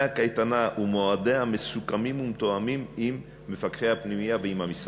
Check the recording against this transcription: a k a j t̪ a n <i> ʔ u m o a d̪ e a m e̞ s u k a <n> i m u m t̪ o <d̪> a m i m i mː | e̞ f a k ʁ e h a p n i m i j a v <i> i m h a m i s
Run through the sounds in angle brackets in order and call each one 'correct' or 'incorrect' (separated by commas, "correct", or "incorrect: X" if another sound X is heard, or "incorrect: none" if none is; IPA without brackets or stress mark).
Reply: incorrect: a, incorrect: m, incorrect: none, incorrect: e